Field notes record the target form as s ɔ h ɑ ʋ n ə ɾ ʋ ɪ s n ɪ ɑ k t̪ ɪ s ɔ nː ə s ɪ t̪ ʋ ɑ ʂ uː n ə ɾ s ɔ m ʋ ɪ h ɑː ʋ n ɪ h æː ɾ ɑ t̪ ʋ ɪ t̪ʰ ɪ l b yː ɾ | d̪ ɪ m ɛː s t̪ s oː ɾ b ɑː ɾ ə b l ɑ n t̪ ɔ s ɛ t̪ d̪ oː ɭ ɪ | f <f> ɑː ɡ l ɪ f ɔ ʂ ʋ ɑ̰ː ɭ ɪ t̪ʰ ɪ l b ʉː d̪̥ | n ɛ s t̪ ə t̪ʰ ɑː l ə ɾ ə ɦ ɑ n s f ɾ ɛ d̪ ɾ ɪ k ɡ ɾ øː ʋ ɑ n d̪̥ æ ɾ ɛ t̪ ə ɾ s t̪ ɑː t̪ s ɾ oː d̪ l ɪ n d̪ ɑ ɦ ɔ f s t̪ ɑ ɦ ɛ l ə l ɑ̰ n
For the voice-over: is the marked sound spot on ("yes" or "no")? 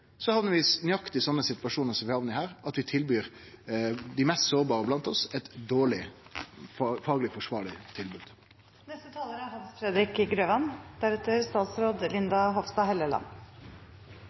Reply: yes